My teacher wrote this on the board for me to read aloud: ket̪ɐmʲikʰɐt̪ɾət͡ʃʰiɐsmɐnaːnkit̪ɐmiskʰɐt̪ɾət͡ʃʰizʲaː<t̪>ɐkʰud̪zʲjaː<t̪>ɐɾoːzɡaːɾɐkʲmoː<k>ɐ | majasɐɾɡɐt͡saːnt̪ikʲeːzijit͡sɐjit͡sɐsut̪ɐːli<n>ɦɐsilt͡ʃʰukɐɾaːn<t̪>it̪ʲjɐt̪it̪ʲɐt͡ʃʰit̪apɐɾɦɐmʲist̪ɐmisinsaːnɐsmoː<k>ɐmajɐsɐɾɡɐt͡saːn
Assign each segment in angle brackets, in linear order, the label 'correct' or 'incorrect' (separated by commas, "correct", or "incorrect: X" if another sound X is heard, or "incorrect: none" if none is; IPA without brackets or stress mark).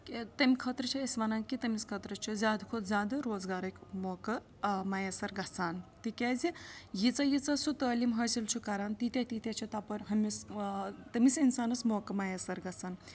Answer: incorrect: d̪, incorrect: d̪, correct, incorrect: m, correct, correct